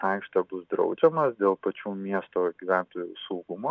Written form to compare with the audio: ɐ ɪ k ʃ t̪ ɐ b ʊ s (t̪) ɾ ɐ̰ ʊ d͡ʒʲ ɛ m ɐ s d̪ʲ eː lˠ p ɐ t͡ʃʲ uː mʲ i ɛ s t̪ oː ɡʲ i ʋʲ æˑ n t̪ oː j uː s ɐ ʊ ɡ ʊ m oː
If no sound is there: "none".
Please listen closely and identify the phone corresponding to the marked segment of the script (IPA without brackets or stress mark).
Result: d̪